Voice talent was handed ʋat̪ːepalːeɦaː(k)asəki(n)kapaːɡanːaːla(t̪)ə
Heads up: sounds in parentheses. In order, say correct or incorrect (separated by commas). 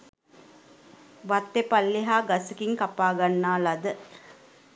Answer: incorrect, incorrect, incorrect